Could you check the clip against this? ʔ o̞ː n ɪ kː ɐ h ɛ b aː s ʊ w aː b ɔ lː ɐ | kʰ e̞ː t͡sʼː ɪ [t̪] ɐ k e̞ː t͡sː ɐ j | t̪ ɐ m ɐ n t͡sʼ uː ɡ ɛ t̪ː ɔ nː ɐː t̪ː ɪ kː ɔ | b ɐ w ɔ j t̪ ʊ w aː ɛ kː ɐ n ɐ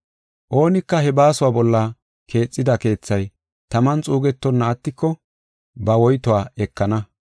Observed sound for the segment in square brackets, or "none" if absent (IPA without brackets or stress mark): d̪